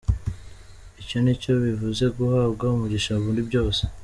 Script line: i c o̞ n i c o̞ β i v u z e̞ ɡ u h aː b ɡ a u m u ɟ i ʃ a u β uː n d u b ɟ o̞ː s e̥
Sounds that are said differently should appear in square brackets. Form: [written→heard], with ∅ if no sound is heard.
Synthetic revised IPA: i c o̞ n i c o̞ β i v u z e̞ ɡ u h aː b ɡ a u m u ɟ i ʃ a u β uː n d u b ɟ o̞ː s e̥